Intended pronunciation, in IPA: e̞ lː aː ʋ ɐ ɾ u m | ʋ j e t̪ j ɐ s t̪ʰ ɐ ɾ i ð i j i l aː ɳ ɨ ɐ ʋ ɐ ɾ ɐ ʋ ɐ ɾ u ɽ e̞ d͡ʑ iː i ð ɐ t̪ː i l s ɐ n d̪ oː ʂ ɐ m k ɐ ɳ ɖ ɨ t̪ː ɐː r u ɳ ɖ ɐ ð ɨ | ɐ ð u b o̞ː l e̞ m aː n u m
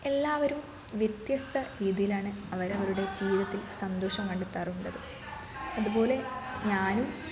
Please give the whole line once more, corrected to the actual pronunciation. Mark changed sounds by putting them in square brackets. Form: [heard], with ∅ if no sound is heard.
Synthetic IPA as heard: e̞ lː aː ʋ ɐ ɾ u m | ʋ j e t̪ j ɐ s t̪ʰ ɐ ɾ [iː] ð i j i l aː ɳ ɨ ɐ ʋ ɐ ɾ ɐ ʋ ɐ ɾ u ɽ e̞ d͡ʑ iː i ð ɐ t̪ː i l s ɐ n d̪ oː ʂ ɐ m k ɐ ɳ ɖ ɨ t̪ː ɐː r u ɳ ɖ ɐ ð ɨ | ɐ ð u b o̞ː l e̞ [ɲ] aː n u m

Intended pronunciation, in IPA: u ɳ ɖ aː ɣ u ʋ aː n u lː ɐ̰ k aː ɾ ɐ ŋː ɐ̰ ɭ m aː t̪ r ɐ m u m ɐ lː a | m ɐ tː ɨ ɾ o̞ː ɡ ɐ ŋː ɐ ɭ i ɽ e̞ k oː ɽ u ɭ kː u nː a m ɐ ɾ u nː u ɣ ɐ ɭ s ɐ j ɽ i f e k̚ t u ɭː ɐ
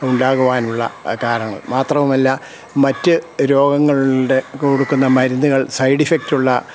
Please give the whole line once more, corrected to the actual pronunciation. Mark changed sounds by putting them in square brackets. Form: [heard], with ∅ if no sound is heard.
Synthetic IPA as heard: u ɳ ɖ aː ɣ u ʋ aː n u [ɭː] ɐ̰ k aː ɾ ɐ ŋː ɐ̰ ɭ m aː t̪ r ɐ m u m ɐ lː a | m ɐ tː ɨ ɾ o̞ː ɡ ɐ ŋː ɐ ɭ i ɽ e̞ k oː ɽ u [∅] kː u nː [ɐ] m ɐ ɾ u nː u ɣ ɐ ɭ s ɐ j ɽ i f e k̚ t u ɭː ɐ

